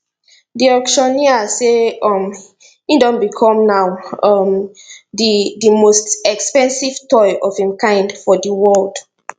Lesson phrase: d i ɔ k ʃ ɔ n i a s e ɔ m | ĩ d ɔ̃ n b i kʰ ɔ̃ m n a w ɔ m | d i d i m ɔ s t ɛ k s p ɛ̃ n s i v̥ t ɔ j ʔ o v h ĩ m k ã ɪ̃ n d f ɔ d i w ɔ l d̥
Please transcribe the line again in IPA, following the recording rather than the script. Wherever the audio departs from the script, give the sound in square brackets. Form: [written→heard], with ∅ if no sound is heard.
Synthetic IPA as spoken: d i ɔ k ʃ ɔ n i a s e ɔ m | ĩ d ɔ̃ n b i kʰ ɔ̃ m n a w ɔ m | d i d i m [ɔ→o] s t ɛ k s p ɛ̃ n s i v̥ t ɔ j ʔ [o→ɔ] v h ĩ m k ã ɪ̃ n d f ɔ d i w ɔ l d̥